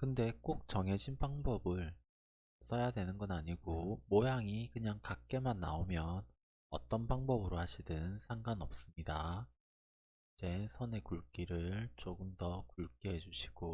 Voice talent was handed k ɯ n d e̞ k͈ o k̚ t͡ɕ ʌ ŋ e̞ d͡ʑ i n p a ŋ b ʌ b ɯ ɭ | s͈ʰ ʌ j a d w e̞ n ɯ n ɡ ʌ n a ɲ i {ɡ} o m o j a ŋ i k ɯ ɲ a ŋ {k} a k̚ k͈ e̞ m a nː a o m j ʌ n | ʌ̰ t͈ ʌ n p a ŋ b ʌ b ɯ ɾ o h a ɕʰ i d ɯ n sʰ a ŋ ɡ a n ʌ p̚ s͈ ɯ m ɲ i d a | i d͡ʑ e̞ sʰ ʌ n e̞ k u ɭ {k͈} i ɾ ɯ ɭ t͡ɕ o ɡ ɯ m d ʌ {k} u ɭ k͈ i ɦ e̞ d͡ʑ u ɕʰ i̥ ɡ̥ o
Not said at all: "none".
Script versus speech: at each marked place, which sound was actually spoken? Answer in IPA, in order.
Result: ɡ, k, k͈, k

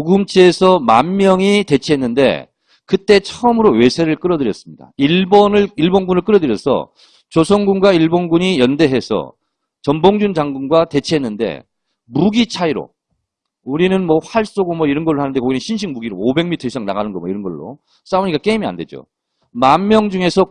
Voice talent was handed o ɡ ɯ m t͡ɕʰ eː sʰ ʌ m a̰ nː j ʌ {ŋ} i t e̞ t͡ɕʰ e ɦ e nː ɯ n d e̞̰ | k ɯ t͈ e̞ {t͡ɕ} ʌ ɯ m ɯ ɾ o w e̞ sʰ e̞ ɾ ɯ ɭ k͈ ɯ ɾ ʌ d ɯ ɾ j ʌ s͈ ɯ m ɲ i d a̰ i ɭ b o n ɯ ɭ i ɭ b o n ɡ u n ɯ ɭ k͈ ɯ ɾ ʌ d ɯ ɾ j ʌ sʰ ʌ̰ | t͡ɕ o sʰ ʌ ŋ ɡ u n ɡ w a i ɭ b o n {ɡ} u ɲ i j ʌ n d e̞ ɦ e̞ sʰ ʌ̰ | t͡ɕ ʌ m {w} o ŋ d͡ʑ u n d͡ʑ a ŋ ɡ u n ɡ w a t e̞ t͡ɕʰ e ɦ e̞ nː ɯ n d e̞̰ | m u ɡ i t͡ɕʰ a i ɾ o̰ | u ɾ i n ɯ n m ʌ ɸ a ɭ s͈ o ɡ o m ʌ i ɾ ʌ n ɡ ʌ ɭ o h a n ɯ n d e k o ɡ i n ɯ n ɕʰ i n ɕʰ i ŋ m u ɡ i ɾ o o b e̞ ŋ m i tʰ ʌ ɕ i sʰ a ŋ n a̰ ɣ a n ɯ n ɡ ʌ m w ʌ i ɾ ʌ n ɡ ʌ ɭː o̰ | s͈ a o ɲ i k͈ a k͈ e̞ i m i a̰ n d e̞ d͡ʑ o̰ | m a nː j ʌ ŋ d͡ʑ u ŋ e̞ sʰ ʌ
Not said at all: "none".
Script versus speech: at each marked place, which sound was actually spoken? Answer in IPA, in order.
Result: ŋ, t͡ɕʰ, ɡ, b

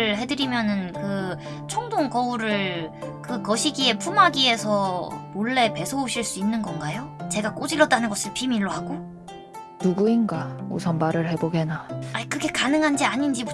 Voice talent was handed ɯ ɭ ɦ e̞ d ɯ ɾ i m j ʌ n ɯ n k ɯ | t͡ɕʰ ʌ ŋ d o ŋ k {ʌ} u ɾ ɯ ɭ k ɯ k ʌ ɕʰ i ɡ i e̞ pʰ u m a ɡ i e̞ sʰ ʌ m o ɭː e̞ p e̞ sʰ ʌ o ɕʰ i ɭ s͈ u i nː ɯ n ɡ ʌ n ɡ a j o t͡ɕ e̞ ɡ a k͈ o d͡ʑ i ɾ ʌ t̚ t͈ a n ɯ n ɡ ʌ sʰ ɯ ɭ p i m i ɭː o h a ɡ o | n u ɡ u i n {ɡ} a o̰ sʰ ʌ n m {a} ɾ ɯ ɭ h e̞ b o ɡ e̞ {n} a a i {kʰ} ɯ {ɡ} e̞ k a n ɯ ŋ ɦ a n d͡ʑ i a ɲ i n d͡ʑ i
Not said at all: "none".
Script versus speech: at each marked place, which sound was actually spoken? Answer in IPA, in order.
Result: ʌ, ɡ, a, n, k, ɡ

